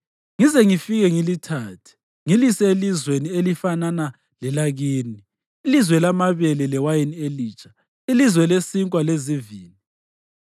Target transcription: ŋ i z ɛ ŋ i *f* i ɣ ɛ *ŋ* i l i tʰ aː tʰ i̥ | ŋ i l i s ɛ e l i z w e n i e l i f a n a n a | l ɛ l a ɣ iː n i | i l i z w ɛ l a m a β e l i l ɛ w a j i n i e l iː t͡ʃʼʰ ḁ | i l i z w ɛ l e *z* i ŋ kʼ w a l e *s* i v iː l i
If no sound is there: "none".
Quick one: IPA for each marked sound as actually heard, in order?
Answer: f, ŋ, s, z

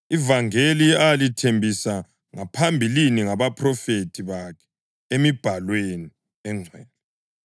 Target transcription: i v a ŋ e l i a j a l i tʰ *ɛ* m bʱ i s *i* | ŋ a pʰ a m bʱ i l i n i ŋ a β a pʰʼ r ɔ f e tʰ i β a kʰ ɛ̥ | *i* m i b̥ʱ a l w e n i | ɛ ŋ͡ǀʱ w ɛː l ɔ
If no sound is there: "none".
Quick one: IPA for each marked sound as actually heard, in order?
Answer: e, a, e

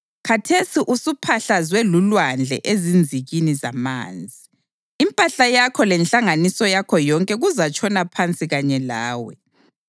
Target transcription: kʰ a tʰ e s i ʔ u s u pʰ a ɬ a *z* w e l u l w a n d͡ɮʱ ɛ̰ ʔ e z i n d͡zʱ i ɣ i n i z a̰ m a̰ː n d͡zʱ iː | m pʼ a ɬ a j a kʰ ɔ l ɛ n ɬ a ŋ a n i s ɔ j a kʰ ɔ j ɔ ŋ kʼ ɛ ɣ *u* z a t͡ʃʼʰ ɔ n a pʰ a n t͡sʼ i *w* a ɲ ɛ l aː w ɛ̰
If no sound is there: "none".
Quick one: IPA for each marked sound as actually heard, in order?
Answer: z, u, ɣ

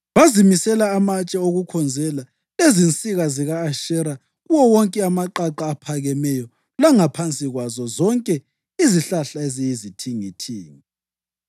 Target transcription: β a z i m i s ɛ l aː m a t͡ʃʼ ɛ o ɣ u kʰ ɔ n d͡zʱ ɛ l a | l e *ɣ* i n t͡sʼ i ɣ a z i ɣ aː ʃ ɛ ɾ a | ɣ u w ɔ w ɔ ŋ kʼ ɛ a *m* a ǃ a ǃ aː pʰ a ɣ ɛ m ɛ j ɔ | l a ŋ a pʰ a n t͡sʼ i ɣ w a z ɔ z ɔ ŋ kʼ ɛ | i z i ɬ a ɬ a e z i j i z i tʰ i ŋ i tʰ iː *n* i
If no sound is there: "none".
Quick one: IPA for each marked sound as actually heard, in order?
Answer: z, m, ŋ

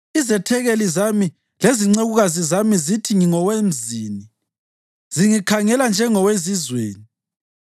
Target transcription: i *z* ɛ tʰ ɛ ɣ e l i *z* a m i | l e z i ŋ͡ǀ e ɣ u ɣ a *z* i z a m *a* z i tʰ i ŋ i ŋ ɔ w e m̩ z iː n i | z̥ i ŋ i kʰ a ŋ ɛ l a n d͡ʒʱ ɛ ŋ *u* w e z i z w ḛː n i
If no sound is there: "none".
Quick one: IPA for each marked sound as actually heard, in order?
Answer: z, z, z, i, ɔ

